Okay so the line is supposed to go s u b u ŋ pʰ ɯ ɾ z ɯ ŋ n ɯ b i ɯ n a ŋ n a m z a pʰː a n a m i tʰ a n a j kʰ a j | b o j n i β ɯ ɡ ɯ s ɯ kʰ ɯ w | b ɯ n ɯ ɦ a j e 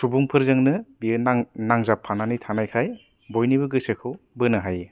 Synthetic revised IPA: s u b u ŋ pʰ ɯ ɾ z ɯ ŋ n ɯ b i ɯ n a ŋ n a ŋ z a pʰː a n a n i tʰ a n a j kʰ a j | b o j n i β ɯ ɡ ɯ s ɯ kʰ ɯ w | b ɯ n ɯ ɦ a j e